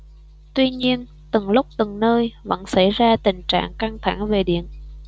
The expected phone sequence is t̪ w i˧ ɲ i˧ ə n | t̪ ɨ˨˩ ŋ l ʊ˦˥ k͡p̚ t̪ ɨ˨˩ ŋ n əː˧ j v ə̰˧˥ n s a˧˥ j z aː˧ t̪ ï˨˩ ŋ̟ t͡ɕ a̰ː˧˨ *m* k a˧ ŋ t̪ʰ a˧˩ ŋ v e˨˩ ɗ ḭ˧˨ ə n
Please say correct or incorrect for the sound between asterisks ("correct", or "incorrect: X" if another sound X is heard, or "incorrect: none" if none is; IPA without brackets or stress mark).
incorrect: ŋ